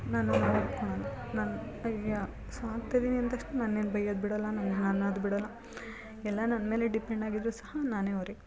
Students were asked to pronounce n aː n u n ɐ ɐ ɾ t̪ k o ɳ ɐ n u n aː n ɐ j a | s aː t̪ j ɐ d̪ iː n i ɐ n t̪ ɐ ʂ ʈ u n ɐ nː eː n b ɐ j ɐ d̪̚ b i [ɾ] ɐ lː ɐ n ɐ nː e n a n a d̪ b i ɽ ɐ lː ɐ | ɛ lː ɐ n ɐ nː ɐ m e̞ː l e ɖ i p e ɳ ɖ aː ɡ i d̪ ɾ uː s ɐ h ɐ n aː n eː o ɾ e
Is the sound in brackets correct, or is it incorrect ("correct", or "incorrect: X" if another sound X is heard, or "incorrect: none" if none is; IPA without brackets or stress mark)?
incorrect: ɽ